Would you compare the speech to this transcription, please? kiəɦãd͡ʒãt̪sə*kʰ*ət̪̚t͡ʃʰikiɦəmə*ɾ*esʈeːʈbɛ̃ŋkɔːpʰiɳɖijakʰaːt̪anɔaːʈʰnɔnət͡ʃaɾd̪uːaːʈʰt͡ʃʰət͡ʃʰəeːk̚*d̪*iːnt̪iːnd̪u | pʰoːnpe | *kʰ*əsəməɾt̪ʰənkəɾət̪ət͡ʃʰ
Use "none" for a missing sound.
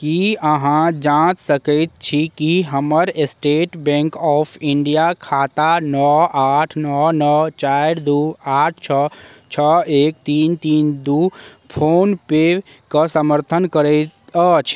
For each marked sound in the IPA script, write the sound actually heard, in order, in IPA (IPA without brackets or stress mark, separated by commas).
k, ɾ, t̪, k